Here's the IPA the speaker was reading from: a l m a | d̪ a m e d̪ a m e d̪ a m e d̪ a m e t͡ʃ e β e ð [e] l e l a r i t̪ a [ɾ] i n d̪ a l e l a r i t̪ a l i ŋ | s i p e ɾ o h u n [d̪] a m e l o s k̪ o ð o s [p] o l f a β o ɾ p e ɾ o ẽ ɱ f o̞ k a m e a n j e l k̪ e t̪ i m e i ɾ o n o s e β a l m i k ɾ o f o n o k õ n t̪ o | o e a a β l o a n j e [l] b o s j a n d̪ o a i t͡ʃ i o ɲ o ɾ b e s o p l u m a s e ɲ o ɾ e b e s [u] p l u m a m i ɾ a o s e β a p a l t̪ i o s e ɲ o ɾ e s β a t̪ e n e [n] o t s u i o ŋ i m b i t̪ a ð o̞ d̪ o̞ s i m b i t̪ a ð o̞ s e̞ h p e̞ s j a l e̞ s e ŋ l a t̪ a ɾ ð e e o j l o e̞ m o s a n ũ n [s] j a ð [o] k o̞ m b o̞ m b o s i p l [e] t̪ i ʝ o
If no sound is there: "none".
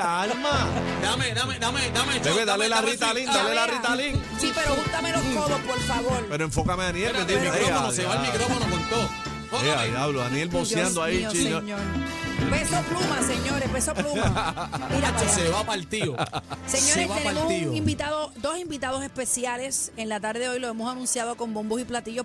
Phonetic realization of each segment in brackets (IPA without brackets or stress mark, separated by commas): a, l, t̪, p, l, o, m, s, o, a